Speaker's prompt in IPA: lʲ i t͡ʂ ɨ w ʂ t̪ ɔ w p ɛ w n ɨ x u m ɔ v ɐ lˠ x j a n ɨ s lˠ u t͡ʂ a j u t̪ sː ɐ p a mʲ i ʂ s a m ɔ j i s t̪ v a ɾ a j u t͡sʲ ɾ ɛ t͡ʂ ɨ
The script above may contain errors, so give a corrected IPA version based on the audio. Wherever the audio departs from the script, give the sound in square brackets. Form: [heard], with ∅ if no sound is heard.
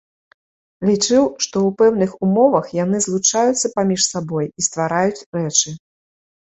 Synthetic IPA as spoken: lʲ i t͡ʂ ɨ w ʂ t̪ ɔ w p ɛ w n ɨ x u m ɔ v ɐ [∅] x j a n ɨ [z] lˠ u t͡ʂ a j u t̪ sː ɐ p a mʲ i ʂ s a [b] ɔ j i s t̪ v a ɾ a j u t͡sʲ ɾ ɛ t͡ʂ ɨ